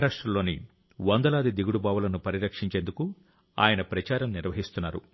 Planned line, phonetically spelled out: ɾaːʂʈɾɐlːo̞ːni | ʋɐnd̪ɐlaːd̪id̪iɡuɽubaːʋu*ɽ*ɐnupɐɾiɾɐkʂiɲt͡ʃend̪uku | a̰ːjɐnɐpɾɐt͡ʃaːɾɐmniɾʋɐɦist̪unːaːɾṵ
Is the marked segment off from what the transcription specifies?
yes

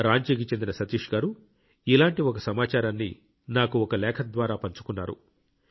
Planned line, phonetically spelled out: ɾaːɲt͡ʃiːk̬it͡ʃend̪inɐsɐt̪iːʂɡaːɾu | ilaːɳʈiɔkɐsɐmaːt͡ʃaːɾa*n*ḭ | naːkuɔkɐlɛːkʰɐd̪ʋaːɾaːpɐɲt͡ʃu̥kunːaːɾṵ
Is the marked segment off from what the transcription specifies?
yes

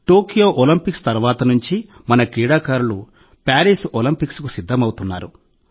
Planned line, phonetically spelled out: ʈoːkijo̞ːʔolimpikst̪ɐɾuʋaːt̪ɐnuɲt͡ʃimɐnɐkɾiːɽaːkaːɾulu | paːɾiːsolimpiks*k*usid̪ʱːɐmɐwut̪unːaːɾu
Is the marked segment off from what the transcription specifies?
no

